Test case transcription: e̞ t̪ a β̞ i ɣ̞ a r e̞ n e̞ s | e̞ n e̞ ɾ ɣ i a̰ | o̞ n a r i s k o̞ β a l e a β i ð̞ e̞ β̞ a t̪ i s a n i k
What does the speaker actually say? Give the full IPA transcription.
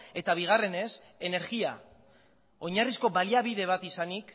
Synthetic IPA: e̞ t̪ a β̞ i ɣ̞ a r e̞ n e̞ s | e̞ n e̞ ɾ ɣ i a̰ | o̞ ɲ a r i s k o̞ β a l i a β i ð̞ e̞ β̞ a t̪ i s a n i k

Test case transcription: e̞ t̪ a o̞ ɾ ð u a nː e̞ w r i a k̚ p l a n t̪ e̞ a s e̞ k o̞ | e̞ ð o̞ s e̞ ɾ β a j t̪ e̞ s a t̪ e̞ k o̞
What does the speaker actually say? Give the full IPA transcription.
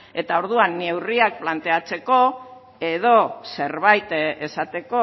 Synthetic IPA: e̞ t̪ a o̞ ɾ ð u a nː e̞ w r i a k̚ p l a n t̪ e̞ a t͡s e̞ k o̞ | e̞ ð o̞ s e̞ ɾ β a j t̪ e̞ s a t̪ e̞ k o̞

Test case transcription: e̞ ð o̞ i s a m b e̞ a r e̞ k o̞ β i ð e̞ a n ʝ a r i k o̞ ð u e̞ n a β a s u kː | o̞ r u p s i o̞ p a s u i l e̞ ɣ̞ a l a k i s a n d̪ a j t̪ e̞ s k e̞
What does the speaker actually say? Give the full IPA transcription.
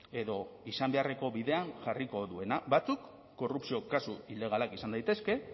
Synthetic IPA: e̞ ð o̞ i s a m b e̞ a r e̞ k o̞ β i ð e̞ a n ʝ a r i k o̞ ð u e̞ n a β a t͡s u kː | o̞ r u p s i o̞ k a s u i l e̞ ɣ̞ a l a k i s a n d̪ a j t̪ e̞ s k e̞

